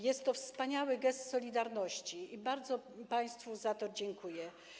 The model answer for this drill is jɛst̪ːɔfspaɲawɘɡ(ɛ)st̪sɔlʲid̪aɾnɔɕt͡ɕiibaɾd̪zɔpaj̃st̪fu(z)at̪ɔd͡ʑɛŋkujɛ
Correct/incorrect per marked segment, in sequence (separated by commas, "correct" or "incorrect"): correct, correct